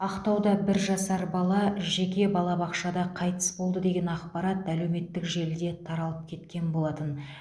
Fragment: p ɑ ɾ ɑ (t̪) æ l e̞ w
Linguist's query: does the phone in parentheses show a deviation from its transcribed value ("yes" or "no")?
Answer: no